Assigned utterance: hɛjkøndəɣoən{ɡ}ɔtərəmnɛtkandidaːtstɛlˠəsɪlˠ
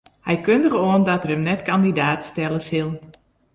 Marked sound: incorrect: d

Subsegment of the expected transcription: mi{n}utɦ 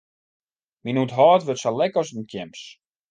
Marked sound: correct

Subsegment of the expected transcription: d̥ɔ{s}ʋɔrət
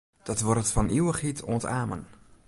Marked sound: incorrect: t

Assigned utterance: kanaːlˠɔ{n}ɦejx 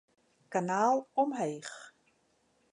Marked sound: incorrect: m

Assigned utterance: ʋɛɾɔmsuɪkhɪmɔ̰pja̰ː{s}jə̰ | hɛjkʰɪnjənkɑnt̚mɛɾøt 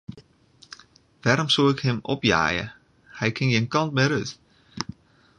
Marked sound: incorrect: none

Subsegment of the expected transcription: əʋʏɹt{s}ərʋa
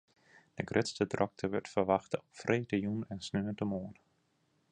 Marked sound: incorrect: f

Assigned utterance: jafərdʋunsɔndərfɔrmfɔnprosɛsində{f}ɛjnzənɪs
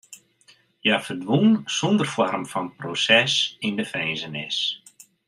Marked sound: correct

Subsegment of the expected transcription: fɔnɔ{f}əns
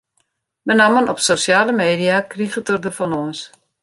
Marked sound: incorrect: none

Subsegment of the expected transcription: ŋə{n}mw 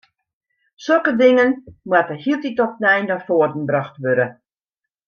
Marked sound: correct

